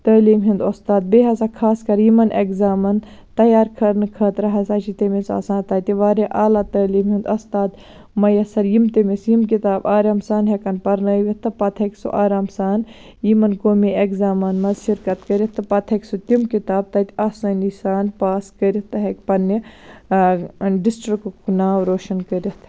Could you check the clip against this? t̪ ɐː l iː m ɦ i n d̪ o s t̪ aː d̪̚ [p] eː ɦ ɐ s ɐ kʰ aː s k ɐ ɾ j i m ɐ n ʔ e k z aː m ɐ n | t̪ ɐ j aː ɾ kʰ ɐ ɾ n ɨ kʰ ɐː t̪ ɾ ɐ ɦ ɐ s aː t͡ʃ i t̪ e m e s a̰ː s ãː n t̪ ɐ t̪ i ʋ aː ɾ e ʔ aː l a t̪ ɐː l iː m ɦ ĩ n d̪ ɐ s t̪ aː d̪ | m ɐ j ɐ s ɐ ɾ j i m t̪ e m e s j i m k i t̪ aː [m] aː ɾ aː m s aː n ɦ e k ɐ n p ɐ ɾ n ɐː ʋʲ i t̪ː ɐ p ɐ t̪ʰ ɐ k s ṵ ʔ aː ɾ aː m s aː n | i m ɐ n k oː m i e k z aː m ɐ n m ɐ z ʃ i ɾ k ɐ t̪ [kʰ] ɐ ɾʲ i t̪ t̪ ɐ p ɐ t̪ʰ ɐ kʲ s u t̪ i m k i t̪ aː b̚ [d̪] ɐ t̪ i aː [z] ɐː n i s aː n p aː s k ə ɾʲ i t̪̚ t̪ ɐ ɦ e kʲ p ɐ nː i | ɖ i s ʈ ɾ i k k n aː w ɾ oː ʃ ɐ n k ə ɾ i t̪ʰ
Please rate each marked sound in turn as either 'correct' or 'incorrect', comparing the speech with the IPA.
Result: incorrect, incorrect, incorrect, incorrect, incorrect

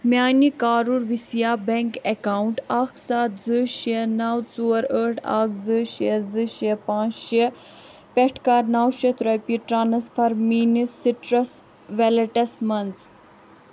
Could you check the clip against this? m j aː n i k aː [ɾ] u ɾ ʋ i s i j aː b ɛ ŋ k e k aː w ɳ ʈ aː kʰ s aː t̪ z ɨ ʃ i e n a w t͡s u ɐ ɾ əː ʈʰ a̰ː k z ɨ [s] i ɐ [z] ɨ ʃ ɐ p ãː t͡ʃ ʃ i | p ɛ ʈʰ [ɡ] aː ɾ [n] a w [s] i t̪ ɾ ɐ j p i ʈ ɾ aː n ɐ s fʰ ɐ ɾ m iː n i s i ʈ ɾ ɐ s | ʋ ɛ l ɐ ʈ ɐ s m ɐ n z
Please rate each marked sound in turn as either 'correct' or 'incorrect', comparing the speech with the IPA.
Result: correct, incorrect, correct, incorrect, correct, incorrect

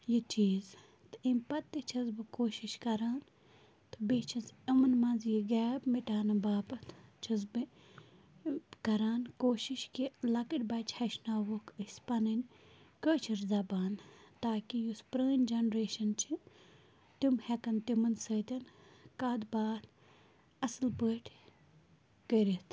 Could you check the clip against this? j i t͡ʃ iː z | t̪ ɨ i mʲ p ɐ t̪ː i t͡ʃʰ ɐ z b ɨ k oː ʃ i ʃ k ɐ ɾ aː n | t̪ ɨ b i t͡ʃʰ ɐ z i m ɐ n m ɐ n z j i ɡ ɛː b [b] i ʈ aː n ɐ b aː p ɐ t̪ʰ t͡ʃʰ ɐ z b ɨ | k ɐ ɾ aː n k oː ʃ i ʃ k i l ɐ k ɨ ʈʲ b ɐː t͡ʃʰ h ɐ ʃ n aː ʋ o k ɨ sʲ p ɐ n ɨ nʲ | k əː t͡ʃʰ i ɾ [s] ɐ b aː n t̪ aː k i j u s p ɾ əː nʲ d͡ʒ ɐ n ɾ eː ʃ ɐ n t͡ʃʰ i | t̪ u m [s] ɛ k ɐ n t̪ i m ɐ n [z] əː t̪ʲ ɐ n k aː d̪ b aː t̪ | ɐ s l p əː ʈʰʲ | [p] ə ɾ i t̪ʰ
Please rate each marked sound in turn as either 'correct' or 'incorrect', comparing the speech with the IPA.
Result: incorrect, incorrect, incorrect, incorrect, incorrect

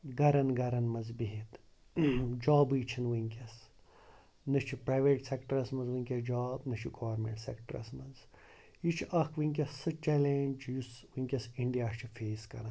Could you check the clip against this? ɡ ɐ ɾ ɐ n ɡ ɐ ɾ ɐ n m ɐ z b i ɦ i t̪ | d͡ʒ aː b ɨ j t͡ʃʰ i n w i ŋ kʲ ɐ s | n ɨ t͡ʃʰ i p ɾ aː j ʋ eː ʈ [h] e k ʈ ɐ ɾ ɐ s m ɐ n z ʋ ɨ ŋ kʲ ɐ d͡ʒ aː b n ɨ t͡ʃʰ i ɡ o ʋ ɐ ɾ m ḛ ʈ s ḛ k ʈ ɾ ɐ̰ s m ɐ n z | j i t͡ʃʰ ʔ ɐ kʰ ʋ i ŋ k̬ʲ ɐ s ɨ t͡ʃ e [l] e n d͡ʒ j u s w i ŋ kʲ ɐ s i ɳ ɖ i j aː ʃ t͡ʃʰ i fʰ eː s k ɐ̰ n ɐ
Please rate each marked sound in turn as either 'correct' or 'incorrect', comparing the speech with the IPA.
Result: incorrect, correct

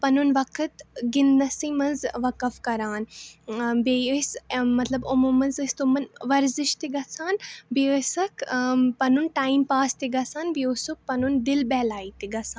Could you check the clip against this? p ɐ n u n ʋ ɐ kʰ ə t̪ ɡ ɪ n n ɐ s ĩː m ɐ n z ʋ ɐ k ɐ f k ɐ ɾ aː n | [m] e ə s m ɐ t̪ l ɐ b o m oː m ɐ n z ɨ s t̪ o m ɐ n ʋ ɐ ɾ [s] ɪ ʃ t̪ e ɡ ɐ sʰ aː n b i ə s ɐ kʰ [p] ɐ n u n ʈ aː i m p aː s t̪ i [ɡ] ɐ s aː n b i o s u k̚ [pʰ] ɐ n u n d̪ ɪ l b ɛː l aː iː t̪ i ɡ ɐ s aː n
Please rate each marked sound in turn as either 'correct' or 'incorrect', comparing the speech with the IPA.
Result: incorrect, incorrect, correct, correct, incorrect

